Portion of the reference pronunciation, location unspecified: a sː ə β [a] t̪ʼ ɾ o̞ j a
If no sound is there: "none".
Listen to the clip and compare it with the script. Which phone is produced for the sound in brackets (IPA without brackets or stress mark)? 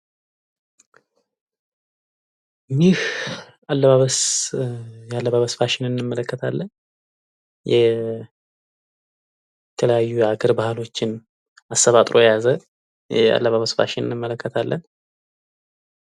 a